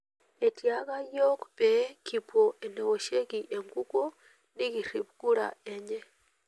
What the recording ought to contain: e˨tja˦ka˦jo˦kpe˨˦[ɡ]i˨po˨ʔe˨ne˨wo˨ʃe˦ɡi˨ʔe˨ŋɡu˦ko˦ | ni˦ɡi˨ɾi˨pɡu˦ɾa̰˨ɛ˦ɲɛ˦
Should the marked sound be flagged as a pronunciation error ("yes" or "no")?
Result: yes